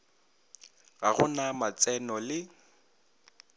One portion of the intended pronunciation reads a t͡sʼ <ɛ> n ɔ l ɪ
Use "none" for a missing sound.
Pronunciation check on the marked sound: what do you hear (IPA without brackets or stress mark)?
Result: ɛ